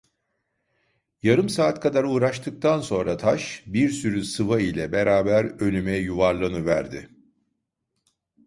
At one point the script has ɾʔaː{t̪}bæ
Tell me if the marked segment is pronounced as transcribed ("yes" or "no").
no